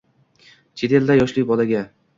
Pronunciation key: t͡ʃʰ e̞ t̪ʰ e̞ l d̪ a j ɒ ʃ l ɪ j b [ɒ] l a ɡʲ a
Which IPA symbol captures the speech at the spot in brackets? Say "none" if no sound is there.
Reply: ɒ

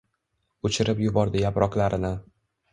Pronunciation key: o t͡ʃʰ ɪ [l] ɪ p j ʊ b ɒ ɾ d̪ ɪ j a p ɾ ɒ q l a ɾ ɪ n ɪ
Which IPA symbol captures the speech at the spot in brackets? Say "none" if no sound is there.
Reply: ɾ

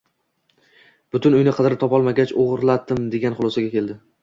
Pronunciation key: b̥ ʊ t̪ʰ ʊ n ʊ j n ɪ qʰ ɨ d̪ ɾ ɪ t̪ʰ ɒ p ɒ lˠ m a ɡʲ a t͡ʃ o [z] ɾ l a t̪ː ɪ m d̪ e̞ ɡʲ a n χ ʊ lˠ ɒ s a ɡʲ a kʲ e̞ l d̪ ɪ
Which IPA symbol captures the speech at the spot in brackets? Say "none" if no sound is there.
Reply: ʁ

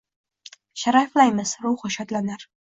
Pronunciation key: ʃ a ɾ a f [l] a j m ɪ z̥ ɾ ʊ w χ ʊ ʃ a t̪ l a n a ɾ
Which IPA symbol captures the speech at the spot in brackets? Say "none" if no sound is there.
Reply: l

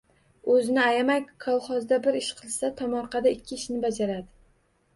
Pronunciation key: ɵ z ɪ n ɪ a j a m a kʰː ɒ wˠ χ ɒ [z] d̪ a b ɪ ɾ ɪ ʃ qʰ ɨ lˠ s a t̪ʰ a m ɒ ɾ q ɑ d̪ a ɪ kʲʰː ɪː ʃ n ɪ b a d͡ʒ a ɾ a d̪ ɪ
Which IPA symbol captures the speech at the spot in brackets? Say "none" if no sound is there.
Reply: z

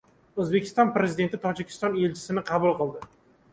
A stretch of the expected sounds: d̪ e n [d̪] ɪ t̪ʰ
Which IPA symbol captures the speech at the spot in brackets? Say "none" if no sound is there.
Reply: t̪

